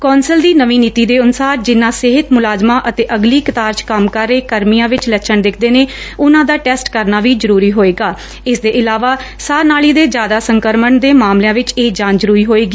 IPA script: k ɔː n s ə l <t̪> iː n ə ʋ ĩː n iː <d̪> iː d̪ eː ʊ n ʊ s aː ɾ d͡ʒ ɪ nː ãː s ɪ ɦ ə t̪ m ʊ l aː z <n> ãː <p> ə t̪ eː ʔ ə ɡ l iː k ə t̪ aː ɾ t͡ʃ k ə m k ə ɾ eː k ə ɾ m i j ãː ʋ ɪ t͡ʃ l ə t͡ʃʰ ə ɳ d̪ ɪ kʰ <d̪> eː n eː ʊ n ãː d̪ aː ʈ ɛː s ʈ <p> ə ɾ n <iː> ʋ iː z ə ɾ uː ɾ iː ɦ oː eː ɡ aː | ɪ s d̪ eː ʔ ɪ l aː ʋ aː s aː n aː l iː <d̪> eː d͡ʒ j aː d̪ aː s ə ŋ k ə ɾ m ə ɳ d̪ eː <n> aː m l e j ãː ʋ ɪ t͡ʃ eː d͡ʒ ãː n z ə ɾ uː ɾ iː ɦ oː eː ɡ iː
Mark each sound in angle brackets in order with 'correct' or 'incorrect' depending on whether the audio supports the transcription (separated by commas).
incorrect, incorrect, incorrect, incorrect, correct, incorrect, incorrect, correct, incorrect